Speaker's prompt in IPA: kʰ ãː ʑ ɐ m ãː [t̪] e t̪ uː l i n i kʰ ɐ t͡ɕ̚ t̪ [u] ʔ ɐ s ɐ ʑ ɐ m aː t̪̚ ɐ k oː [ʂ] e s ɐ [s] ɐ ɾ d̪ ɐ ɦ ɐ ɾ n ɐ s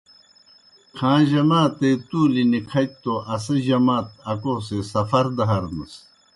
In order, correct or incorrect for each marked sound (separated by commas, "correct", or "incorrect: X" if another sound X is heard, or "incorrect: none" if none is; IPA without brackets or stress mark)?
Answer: correct, incorrect: o, incorrect: s, incorrect: f